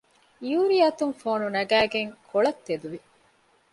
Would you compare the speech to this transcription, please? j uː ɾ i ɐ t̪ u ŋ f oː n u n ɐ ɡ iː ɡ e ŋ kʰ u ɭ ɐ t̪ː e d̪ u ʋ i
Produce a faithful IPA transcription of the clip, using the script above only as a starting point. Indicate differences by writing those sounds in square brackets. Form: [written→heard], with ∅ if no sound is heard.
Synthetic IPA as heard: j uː ɾ i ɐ t̪ u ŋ f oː n u n ɐ ɡ [iː→æː] ɡ e ŋ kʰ [u→o] ɭ ɐ t̪ː e d̪ u ʋ i